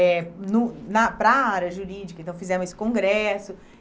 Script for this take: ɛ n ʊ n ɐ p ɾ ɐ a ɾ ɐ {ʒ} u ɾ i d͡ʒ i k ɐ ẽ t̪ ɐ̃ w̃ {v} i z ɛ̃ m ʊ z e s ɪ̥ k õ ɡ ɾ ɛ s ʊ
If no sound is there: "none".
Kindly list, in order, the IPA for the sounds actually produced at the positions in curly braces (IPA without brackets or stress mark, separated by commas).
ʒ, f